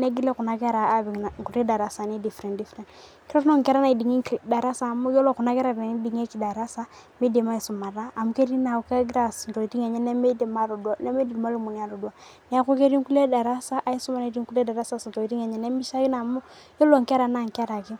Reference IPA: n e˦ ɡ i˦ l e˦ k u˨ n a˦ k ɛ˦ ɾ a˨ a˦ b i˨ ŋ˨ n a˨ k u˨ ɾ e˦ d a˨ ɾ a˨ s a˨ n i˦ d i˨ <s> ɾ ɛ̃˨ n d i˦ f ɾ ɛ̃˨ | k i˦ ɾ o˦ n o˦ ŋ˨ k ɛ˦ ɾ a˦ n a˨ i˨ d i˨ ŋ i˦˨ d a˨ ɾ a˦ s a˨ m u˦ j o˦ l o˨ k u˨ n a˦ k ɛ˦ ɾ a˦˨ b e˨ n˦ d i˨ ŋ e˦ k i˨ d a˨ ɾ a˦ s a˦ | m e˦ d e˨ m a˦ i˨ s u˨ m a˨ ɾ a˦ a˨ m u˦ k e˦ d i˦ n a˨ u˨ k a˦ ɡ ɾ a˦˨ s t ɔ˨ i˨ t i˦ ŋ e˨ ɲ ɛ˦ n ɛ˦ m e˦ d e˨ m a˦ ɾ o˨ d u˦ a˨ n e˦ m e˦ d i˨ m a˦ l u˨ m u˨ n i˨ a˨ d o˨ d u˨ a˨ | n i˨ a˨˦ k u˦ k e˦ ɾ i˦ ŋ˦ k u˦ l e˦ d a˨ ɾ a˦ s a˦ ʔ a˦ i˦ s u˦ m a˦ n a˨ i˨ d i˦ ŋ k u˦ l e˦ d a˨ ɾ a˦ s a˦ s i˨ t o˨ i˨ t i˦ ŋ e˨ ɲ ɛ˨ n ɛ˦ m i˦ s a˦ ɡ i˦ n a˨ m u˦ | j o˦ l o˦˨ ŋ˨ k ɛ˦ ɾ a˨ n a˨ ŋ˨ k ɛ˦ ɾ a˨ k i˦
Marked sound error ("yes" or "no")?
yes